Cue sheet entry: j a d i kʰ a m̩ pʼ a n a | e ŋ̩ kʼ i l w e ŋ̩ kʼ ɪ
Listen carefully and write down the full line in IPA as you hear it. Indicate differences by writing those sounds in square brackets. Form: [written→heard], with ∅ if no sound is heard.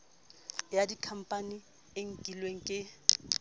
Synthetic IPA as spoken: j a d i kʰ a m̩ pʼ a n [a→i] | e ŋ̩ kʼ i l w e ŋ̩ kʼ ɪ